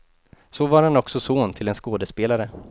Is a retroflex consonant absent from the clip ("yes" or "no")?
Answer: yes